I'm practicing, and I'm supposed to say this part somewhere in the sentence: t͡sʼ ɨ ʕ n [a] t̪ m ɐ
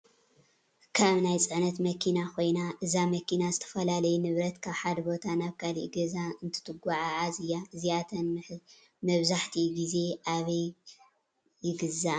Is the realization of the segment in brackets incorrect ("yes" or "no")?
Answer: yes